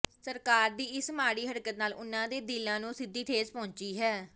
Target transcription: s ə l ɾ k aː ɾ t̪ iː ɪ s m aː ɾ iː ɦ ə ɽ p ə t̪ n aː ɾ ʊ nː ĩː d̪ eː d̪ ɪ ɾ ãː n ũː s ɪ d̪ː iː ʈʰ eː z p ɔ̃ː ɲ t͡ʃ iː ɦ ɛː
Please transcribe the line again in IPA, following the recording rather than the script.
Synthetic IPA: s ə ɾ k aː ɾ d̪ iː ɪ s m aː ɽ iː ɦ ə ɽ k ə t̪ n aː l ʊ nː ãː d̪ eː d̪ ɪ l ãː n ũː s ɪ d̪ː iː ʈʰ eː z p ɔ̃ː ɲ t͡ʃ iː ɦ ɛː

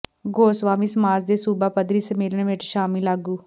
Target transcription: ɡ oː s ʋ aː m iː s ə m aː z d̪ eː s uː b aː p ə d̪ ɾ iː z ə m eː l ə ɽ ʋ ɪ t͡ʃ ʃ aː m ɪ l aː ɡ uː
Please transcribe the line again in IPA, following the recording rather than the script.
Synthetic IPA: ɡ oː s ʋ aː m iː s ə m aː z d̪ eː s uː b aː p ə d̪ ɾ iː s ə m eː l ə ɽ ʋ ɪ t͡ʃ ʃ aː m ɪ l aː ɡ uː

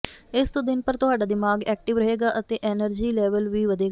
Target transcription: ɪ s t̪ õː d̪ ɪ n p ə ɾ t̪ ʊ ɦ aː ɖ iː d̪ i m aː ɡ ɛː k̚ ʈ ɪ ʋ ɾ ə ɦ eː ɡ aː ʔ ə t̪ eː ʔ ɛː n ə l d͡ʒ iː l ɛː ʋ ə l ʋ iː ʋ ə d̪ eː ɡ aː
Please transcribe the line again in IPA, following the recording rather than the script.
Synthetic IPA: ɪ s t̪ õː d̪ ɪ n p ə ɾ t̪ ʊ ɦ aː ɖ aː d̪ ɪ m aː ɡ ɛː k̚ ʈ ɪ ʋ ɾ ə ɦ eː ɡ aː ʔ ə t̪ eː ʔ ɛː n ə ɾ d͡ʒ iː l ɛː ʋ ə l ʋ iː ʋ ə d̪ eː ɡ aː

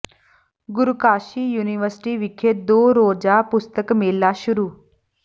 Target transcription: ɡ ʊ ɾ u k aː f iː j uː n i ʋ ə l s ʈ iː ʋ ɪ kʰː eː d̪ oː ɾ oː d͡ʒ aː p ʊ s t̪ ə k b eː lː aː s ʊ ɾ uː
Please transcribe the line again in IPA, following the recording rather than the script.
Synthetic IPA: ɡ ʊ ɾ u k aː ʃ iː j uː n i ʋ ə ɾ s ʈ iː ʋ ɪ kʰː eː d̪ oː ɾ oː d͡ʒ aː p ʊ s t̪ ə k m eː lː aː ʃ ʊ ɾ uː

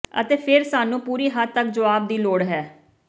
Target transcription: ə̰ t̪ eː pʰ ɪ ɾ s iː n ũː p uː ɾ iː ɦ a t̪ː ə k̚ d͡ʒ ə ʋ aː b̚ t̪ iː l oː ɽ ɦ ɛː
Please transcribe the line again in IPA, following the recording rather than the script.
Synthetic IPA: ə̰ t̪ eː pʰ ɪ ɾ s aː n ũː p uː ɾ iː ɦ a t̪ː ə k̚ d͡ʒ ə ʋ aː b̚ d̪ iː l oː ɽ ɦ ɛː

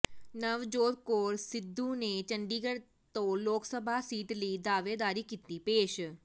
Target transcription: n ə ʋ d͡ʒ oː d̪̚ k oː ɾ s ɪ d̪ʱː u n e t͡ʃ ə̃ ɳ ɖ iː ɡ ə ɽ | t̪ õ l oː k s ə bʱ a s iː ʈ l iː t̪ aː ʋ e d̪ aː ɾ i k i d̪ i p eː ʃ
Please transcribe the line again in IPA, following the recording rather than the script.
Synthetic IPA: n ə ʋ d͡ʒ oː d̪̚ k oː ɾ s ɪ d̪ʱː u n e t͡ʃ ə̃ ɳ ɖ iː ɡ ə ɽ | t̪ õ l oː k s ə bʱ a s iː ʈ l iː d̪ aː ʋ e d̪ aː ɾ i k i t̪ i p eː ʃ

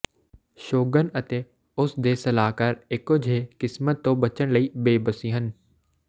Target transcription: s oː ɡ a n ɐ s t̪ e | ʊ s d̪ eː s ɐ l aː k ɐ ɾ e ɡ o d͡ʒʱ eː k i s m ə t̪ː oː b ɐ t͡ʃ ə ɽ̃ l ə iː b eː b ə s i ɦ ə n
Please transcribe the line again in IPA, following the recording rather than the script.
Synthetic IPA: ʃ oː ɡ ə n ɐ t̪ e | ʊ s d̪ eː s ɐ l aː k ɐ ɾ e k o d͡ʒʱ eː k ɪ s m ə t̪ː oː b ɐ t͡ʃ ə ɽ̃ l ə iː b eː b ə s i ɦ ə n

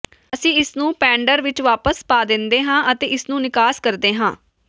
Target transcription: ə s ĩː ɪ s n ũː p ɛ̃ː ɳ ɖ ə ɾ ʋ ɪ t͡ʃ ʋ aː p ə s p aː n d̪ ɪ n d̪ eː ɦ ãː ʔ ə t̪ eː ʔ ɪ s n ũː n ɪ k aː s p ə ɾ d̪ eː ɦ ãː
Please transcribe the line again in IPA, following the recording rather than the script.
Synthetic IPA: ə s ĩː ɪ s n ũː p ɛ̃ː ɳ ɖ ə ɾ ʋ ɪ t͡ʃ ʋ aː p ə s p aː d̪ ɪ n d̪ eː ɦ ãː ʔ ə t̪ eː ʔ ɪ s n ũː n ɪ k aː s k ə ɾ d̪ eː ɦ ãː

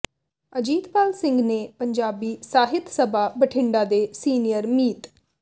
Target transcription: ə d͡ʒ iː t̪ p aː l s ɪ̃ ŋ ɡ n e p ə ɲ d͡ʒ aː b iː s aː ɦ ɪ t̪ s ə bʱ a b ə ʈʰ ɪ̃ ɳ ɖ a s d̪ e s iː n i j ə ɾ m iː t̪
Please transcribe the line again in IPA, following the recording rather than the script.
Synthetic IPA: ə d͡ʒ iː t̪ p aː l s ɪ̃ ŋ ɡ n e p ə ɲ d͡ʒ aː b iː s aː ɦ ɪ t̪ s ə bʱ a b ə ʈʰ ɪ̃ ɳ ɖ a d̪ e s iː n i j ə ɾ m iː t̪

